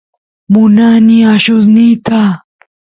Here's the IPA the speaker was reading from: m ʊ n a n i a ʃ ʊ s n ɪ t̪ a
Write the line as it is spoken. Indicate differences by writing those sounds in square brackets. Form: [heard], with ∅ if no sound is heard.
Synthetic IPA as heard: m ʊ n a n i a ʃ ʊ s n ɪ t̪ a